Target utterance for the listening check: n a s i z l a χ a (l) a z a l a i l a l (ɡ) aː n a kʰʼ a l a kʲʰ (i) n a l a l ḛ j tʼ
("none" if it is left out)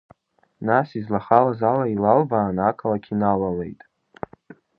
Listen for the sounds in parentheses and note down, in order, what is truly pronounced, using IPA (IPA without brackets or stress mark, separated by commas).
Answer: l, b, i